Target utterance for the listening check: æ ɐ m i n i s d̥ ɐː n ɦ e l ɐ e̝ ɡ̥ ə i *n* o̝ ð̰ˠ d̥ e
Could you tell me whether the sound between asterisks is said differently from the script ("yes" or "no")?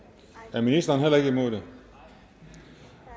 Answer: yes